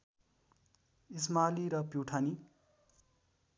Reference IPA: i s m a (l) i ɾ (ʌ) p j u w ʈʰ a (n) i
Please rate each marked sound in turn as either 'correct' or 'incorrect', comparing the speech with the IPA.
correct, correct, correct

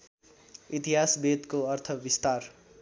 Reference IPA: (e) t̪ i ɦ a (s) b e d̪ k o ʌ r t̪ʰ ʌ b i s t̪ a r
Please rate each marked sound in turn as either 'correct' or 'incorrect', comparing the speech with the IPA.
incorrect, correct

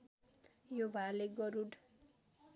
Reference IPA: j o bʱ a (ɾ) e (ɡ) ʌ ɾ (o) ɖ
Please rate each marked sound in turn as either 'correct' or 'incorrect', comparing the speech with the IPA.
incorrect, correct, incorrect

